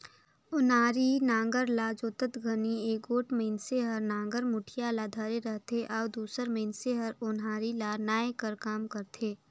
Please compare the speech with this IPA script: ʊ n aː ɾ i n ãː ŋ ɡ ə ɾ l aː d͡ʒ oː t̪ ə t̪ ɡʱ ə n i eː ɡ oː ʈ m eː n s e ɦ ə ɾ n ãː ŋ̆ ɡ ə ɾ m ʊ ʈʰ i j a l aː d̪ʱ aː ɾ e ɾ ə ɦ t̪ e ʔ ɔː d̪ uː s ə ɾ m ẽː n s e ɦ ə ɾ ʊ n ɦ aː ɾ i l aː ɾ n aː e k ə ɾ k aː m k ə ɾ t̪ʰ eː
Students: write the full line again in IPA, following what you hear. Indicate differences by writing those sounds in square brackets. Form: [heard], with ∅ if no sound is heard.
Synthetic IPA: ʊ n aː ɾ i n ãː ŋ ɡ ə ɾ l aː d͡ʒ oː t̪ ə t̪ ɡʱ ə n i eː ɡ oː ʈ m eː n s e ɦ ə ɾ n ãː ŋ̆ ɡ ə ɾ m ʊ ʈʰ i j a l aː d̪ʱ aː ɾ e ɾ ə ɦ t̪ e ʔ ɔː d̪ uː s ə ɾ m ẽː n s e ɦ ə ɾ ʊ n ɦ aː ɾ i l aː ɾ n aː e k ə ɾ k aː m k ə ɾ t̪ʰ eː